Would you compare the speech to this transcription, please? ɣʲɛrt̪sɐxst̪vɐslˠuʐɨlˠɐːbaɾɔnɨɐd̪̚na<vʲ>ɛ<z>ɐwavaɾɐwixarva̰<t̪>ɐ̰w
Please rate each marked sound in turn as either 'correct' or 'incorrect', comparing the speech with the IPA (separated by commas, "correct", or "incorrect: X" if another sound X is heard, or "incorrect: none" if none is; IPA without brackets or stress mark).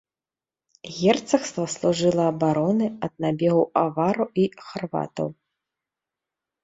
incorrect: bʲ, incorrect: ɣ, correct